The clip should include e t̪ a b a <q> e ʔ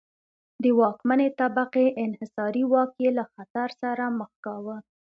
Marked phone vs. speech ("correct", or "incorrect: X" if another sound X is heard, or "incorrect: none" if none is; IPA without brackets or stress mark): correct